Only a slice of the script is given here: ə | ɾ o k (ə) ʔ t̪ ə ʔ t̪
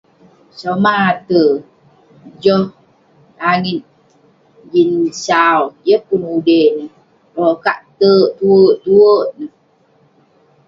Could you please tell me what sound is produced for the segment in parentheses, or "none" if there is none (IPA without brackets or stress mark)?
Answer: a